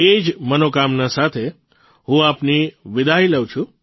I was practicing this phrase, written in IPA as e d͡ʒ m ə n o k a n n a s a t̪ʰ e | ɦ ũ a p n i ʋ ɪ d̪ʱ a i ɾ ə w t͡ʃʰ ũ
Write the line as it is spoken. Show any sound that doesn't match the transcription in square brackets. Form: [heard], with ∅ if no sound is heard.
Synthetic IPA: e d͡ʒ m ə n o k a [m] n a s a t̪ʰ e | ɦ ũ a p n i ʋ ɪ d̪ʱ a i [l] ə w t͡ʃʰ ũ